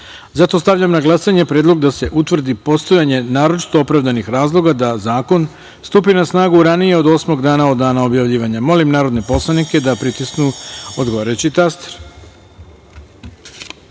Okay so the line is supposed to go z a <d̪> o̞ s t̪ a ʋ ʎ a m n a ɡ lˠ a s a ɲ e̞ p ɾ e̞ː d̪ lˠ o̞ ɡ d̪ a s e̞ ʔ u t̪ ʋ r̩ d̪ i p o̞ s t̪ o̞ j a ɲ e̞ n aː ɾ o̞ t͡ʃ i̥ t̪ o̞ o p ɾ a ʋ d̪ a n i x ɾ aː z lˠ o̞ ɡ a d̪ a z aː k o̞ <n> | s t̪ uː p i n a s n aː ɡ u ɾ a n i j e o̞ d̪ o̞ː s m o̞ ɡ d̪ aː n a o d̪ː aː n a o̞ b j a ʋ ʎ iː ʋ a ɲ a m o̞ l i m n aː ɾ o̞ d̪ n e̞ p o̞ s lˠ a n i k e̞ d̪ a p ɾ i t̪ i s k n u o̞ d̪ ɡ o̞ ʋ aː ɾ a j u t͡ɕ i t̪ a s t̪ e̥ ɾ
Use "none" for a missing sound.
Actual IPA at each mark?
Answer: t̪, n

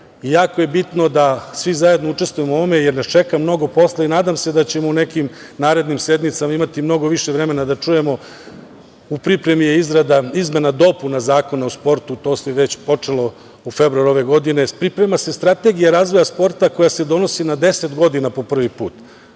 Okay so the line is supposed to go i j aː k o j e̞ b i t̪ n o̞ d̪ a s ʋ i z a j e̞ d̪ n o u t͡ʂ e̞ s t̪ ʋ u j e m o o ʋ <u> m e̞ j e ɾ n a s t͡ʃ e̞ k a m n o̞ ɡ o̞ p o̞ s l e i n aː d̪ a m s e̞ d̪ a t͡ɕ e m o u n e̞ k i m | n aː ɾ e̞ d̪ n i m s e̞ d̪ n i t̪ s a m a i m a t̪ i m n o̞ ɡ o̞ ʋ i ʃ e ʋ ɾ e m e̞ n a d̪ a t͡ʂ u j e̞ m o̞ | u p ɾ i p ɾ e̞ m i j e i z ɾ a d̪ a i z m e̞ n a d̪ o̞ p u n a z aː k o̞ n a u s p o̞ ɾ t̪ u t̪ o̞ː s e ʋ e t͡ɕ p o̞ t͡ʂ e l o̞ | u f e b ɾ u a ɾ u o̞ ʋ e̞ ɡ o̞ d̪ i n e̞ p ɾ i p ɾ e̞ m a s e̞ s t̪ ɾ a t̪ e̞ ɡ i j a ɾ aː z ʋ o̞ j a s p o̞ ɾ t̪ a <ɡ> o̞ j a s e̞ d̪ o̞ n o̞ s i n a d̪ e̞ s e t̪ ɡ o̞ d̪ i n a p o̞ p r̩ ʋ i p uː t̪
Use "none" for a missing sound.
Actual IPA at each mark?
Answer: o, k

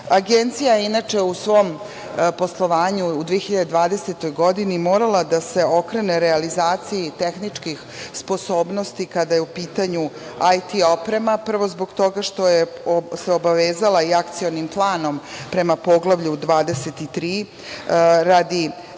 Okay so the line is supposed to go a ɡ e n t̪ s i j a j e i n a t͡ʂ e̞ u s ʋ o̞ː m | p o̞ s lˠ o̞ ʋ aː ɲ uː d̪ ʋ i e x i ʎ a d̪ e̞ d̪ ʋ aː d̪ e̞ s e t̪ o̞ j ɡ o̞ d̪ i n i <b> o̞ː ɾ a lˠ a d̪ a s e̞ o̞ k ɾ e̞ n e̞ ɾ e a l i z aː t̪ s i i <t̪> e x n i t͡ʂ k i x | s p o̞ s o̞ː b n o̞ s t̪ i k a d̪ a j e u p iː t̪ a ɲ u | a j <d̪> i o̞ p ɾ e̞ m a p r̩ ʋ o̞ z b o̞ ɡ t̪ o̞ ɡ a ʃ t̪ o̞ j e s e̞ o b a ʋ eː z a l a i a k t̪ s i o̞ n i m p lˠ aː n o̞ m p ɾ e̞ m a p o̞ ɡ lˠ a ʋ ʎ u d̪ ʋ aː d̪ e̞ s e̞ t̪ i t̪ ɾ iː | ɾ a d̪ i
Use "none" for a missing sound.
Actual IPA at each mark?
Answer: m, t̪, t̪

